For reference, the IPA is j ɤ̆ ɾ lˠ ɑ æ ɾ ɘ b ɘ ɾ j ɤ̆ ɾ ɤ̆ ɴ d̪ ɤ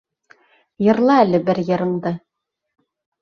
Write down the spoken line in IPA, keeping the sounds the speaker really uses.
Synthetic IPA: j ɤ̆ ɾ lˠ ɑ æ l ɘ b ɘ ɾ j ɤ̆ ɾ ɤ̆ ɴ d̪ ɤ

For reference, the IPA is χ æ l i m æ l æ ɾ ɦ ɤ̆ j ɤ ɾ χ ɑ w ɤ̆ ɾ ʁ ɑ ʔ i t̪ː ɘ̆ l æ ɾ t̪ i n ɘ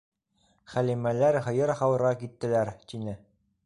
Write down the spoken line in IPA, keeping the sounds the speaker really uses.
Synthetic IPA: χ æ l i m æ l æ ɾ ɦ ɤ̆ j ɤ ɾ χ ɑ w ɤ̆ ɾ ʁ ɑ k i t̪ː ɘ̆ l æ ɾ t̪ i n ɘ

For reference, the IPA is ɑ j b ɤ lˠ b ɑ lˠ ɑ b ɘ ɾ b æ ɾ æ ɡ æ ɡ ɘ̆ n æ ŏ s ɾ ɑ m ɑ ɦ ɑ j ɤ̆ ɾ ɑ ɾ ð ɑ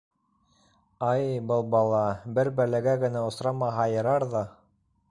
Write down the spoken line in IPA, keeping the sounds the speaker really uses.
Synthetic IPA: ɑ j b ɤ lˠ b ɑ lˠ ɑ b ɘ ɾ b æ l æ ɡ æ ɡ ɘ̆ n æ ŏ s ɾ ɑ m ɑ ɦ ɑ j ɤ̆ ɾ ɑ ɾ ð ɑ

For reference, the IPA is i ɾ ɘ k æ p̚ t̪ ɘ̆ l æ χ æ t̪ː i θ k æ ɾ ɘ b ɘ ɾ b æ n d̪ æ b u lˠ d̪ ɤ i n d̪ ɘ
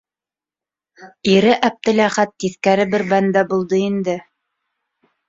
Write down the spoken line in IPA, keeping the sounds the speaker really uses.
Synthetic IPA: i ɾ ɘ ʔ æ p̚ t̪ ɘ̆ l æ χ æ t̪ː i θ k æ ɾ ɘ b ɘ ɾ b æ n d̪ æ b u lˠ d̪ ɤ i n d̪ ɘ

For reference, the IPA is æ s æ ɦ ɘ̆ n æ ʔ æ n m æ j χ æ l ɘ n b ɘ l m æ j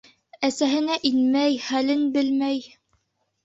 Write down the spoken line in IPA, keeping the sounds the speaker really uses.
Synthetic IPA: æ s æ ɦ ɘ̆ n æ ʔ i n m æ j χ æ l ɘ n b ɘ l m æ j

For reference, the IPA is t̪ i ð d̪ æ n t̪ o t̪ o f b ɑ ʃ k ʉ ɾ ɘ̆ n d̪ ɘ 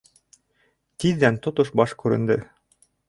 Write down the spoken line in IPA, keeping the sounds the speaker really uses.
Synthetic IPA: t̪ i ð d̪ æ n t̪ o t̪ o ʃ b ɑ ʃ k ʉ ɾ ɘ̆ n d̪ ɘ

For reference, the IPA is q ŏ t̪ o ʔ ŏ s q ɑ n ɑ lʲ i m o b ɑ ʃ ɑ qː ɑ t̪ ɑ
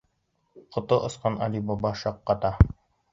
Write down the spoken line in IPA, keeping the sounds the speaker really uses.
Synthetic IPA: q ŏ t̪ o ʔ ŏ s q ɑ n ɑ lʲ i b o b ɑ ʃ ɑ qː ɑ t̪ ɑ

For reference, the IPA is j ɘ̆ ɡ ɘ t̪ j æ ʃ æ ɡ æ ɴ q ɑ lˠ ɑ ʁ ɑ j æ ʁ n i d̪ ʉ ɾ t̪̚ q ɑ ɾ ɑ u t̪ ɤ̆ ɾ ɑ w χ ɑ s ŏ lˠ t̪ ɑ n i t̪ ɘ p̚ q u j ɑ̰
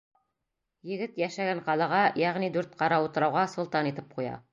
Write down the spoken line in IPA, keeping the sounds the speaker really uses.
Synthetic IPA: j ɘ̆ ɡ ɘ t̪ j æ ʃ æ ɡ æ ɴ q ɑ lˠ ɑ ʁ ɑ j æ ʁ n i d̪ ʉ ɾ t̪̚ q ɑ ɾ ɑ u t̪ ɤ̆ ɾ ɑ w ʁ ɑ s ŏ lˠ t̪ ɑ n i t̪ ɘ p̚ q u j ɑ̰

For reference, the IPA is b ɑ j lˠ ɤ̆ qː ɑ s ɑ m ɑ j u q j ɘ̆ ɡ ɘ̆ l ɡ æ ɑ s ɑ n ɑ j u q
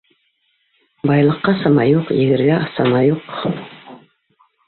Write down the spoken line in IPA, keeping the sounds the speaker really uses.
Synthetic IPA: b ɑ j lˠ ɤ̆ qː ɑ s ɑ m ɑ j u q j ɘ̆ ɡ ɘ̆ ɾ ɡ æ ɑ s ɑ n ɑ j u q

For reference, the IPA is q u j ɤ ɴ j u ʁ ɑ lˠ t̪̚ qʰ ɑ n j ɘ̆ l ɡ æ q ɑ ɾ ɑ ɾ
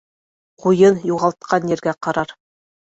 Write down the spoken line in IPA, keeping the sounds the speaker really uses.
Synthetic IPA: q u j ɤ n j u ʁ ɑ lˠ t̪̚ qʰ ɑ n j ɘ̆ ɾ ɡ æ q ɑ ɾ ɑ ɾ

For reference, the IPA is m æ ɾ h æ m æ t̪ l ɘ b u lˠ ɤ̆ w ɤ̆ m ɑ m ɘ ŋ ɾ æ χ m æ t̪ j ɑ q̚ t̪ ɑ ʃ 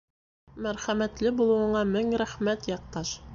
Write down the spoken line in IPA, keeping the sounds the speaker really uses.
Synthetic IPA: m æ ɾ χ æ m æ t̪ l ɘ b u lˠ ɤ̆ w ɤ̆ ɴ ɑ m ɘ ŋ ɾ æ χ m æ t̪ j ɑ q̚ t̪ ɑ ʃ

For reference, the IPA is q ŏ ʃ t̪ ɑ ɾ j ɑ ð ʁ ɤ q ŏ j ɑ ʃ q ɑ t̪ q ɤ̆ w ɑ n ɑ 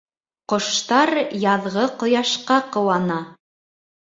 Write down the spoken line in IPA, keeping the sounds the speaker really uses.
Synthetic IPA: q ŏ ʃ t̪ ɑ ɾ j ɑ ð ʁ ɤ q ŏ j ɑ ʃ q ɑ q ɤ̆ w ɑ n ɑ

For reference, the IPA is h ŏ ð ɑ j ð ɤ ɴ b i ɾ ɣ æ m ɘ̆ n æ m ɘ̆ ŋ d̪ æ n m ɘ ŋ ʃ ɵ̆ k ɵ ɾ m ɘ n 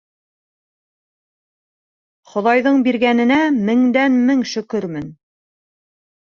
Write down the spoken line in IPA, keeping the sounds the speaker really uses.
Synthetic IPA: χ ŏ ð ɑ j ð ɤ ɴ b i ɾ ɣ æ n ɘ̆ n æ m ɘ̆ ŋ d̪ æ n m ɘ ŋ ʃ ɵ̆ k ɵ ɾ m ɘ n

